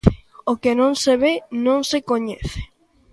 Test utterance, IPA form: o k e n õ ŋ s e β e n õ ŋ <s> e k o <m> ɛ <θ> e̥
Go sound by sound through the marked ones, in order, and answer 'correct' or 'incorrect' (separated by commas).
correct, incorrect, correct